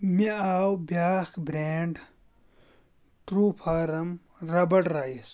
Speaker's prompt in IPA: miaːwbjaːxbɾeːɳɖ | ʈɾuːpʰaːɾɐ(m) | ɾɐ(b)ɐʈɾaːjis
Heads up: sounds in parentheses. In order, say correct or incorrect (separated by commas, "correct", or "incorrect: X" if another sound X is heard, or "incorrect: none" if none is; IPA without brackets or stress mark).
correct, correct